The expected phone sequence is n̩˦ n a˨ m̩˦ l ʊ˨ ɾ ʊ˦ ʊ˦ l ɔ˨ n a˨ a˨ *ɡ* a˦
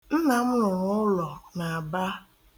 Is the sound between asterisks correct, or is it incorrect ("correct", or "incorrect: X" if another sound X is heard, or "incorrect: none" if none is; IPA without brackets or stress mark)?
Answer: incorrect: b